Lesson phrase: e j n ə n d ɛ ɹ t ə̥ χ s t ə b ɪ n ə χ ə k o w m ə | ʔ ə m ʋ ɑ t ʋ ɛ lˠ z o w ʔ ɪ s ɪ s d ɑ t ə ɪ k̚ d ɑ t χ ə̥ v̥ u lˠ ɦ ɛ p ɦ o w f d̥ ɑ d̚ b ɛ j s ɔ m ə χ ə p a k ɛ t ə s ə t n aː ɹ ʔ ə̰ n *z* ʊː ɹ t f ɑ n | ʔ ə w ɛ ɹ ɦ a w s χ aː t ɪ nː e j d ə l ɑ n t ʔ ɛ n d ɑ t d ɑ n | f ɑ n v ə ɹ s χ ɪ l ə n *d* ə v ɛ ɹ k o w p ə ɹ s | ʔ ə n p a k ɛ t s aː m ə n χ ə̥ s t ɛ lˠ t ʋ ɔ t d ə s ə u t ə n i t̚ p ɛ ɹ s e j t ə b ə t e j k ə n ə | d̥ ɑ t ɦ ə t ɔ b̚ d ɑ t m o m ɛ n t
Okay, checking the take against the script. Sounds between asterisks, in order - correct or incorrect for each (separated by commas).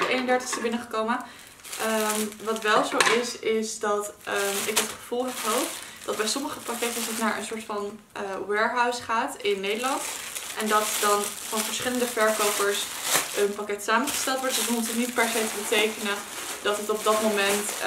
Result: incorrect, correct